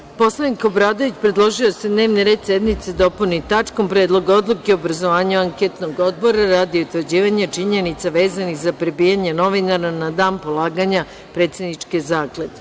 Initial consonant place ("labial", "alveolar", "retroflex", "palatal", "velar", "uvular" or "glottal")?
labial